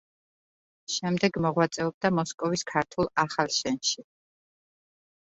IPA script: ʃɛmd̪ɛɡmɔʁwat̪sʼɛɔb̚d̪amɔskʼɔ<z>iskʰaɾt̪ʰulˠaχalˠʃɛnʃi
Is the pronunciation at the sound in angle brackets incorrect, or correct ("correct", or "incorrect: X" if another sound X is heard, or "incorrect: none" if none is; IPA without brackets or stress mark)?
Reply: incorrect: v